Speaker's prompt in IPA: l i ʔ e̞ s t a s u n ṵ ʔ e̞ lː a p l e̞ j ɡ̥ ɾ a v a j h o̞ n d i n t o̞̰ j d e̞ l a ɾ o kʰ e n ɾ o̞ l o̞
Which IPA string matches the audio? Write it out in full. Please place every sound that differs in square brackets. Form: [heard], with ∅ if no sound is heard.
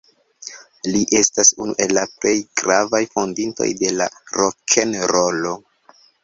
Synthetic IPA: l i ʔ e̞ s t a s u n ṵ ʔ e̞ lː a p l e̞ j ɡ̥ ɾ a v a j [f] o̞ n d i n t o̞̰ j d e̞ l a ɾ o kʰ e n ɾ o̞ l o̞